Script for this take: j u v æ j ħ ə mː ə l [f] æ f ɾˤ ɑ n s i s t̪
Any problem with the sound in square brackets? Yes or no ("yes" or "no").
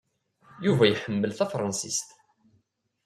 yes